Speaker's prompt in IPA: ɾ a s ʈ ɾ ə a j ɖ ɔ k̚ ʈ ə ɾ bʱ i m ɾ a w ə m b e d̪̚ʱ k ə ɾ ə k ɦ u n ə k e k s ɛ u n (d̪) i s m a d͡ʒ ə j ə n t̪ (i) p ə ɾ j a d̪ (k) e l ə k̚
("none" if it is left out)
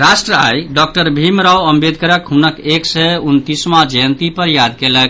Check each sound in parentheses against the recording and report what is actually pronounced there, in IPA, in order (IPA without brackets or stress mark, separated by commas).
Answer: t̪, i, k